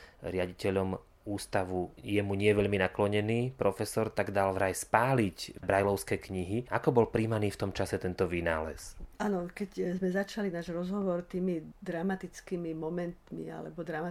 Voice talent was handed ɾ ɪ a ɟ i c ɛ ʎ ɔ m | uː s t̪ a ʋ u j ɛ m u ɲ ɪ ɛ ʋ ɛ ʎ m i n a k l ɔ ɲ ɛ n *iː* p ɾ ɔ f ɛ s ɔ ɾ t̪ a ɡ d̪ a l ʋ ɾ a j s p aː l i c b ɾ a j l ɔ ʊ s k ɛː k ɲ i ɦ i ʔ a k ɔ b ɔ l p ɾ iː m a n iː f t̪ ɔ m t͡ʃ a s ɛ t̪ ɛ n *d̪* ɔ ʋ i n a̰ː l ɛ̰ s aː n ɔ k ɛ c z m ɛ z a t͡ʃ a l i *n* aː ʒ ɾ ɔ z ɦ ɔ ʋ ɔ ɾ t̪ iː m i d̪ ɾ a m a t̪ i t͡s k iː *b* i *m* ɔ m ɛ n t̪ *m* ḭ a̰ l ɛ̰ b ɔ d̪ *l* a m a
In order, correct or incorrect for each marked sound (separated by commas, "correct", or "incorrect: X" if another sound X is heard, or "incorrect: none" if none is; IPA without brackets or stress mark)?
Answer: correct, incorrect: t̪, correct, incorrect: m, correct, correct, incorrect: ɾ